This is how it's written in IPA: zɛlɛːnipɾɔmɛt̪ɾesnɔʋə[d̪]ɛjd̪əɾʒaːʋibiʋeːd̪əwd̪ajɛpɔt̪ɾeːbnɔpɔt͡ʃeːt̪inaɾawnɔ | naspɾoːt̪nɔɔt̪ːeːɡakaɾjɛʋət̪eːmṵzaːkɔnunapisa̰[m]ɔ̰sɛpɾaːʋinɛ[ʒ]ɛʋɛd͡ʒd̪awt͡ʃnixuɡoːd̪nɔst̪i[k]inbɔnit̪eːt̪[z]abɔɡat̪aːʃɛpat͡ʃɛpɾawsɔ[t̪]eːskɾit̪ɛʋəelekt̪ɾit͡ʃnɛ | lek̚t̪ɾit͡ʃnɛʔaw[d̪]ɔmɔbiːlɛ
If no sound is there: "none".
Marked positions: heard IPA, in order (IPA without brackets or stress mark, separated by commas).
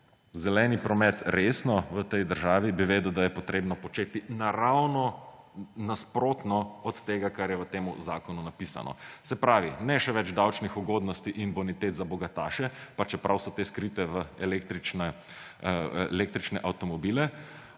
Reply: t̪, n, ʃ, ʔ, z, t̪, t̪